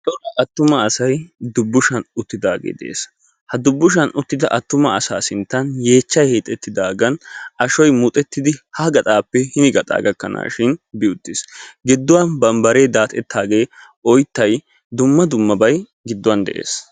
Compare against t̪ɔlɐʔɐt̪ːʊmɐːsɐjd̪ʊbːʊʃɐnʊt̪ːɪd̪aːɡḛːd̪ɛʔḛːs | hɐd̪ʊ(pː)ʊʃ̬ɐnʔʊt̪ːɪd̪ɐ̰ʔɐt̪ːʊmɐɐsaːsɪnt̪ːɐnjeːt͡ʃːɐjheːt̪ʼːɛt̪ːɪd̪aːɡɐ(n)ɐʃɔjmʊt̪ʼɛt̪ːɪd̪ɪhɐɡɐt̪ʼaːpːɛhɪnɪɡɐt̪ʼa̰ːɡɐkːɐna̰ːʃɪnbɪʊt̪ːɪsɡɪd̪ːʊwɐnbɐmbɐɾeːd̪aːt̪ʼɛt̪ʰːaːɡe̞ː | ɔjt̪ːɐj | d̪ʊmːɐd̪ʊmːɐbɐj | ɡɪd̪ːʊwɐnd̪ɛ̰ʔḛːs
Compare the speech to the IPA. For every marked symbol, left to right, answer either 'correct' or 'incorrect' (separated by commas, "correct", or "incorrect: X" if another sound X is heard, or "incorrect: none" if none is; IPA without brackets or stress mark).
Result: incorrect: bː, correct